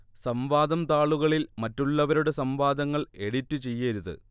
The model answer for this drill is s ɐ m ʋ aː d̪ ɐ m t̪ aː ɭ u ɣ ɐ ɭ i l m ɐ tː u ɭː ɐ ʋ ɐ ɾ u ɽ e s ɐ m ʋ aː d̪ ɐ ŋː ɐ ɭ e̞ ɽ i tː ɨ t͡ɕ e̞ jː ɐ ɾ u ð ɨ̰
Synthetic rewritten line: s ɐ m ʋ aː d̪ ɐ m t̪ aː ɭ u ɣ ɐ ɭ i l m ɐ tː u ɭː ɐ ʋ ɐ ɾ u ɽ e s ɐ m ʋ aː d̪ ɐ ŋː ɐ ɭ e̞ ɽ i tː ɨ t͡ɕ e̞ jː ɐ ɾ u ð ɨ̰